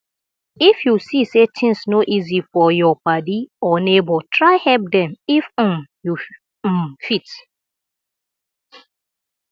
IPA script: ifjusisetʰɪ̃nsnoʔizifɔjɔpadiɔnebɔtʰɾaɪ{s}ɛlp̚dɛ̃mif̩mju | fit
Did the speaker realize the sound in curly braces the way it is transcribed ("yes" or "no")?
no